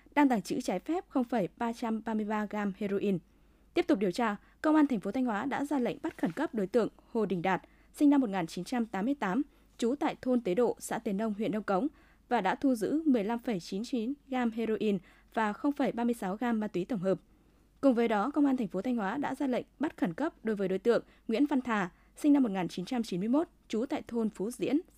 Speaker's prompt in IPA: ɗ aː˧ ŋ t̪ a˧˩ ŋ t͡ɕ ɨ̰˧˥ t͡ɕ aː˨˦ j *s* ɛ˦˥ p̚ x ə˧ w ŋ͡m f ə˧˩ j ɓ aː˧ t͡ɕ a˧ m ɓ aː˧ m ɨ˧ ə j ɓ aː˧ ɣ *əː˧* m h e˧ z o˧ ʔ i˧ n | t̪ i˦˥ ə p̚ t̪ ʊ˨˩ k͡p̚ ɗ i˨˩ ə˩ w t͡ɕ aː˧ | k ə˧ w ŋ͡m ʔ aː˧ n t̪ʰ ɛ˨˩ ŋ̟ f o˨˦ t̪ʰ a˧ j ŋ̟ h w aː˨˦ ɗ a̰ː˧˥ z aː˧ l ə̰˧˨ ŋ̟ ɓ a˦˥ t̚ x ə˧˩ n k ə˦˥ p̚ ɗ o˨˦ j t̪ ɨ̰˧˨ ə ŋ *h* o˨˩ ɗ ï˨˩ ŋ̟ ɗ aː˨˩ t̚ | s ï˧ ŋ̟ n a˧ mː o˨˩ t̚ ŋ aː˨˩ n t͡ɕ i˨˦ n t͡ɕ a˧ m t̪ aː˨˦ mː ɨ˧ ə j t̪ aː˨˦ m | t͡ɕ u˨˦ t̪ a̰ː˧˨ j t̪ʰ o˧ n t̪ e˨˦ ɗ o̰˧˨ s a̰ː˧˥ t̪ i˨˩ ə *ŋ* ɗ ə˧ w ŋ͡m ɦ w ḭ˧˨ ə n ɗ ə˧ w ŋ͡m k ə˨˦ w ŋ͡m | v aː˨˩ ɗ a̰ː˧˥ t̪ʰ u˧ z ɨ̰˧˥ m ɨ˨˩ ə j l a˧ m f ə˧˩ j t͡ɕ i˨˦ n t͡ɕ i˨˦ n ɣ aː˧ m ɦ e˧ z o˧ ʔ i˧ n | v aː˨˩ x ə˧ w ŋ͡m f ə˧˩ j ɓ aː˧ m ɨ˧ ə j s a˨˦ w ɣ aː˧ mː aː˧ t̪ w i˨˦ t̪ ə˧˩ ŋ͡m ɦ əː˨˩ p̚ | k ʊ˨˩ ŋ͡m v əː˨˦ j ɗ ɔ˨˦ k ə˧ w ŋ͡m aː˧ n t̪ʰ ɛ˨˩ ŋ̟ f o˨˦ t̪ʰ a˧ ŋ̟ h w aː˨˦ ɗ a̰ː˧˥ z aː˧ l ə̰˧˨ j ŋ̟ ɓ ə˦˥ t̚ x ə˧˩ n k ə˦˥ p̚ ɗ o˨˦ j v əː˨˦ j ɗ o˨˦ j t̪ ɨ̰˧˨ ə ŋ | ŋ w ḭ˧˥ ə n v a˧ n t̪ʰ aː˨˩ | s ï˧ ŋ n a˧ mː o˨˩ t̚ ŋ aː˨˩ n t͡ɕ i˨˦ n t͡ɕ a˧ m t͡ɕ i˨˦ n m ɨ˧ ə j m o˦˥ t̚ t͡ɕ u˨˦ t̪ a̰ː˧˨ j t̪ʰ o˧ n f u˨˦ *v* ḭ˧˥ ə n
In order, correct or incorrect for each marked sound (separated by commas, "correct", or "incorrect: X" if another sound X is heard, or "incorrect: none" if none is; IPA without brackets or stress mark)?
incorrect: f, incorrect: aː˧, correct, incorrect: n, incorrect: z